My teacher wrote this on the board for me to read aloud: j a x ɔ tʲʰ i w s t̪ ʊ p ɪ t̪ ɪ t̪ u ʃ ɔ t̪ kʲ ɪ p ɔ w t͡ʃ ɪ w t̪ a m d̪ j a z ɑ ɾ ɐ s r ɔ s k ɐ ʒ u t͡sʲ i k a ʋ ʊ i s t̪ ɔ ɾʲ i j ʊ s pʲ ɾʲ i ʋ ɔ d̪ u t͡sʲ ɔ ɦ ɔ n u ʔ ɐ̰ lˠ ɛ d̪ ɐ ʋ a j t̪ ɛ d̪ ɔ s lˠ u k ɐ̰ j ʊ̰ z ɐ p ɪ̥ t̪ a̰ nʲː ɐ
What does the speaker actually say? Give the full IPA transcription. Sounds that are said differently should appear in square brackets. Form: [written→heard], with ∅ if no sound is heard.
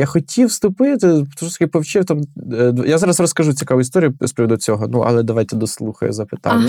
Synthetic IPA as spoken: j a x ɔ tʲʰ i w s t̪ ʊ p ɪ t̪ ɪ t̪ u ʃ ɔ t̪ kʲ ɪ p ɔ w t͡ʃ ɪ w t̪ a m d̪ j a z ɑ ɾ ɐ s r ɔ s k ɐ ʒ u t͡sʲ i k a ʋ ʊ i s t̪ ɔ ɾʲ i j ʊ s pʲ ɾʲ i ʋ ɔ d̪ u t͡sʲ ɔ ɦ ɔ n u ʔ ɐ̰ lˠ ɛ d̪ ɐ ʋ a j t̪ ɛ d̪ ɔ s lˠ u [k→x] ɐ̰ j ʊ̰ z ɐ p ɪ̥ t̪ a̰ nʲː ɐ